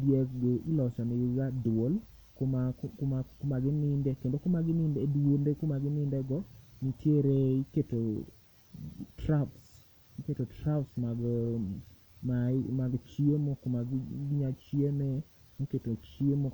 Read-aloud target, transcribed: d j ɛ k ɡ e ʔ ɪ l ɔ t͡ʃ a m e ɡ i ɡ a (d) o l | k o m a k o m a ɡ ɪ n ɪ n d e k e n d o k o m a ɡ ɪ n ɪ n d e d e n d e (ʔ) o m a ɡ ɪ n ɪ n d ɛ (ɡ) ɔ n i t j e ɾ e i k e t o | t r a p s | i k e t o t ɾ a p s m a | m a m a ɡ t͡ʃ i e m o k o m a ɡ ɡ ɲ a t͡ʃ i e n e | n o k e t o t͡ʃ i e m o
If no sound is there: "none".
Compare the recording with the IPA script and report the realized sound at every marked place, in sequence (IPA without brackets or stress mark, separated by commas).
d, k, ɡ